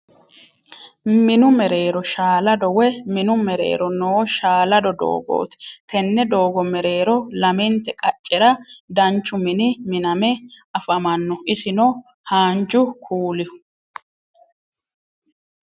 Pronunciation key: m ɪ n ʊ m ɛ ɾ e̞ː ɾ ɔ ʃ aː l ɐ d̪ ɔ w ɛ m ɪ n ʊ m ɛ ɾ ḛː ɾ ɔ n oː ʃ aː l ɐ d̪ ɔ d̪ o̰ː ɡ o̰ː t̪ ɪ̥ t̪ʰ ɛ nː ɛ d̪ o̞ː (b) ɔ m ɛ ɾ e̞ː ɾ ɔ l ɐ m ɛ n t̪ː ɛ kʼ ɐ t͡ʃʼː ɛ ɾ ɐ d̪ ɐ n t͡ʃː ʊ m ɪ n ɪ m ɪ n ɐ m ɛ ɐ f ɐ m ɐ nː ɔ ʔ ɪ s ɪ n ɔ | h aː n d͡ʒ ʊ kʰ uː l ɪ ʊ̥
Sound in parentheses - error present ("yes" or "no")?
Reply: yes